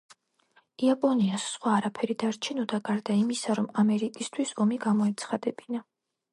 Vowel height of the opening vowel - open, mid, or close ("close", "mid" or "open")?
close